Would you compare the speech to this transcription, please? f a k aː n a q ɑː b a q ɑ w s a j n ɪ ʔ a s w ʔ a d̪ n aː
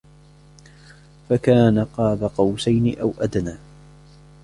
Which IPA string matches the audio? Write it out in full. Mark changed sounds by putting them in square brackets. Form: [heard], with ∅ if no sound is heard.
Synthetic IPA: f a k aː n a q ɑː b a q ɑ w s a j n ɪ ʔ a [∅] w ʔ a d̪ n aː